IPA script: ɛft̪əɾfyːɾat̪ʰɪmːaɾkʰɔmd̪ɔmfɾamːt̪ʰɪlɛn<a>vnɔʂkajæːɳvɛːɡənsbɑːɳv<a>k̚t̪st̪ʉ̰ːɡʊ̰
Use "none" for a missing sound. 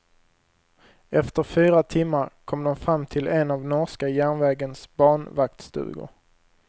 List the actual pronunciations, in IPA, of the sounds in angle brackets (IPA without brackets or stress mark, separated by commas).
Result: a, a